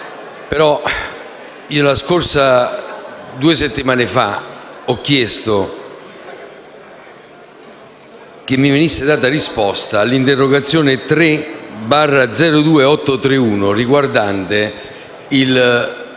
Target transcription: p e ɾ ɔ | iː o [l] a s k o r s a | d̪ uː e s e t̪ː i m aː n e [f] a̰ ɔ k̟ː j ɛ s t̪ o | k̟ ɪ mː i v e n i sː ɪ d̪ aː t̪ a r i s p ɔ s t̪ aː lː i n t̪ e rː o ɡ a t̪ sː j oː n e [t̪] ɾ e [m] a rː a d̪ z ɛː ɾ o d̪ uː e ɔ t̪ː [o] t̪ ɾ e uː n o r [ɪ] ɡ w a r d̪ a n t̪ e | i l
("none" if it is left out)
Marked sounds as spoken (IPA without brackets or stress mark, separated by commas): l, f, t̪, b, o, i